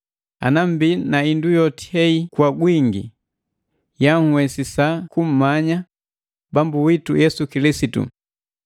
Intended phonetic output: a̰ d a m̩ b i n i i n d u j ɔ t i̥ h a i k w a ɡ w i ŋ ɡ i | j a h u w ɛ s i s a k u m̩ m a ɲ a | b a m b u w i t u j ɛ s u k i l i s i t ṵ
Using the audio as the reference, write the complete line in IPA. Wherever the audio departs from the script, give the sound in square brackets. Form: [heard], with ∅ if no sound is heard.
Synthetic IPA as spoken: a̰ [n] a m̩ b i n [a] i n d u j ɔ t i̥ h [ɛ] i k w a ɡ w i ŋ ɡ i | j a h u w ɛ s i s a k u m̩ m a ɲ a | b a m b u w i t u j ɛ s u k i l i s i t ṵ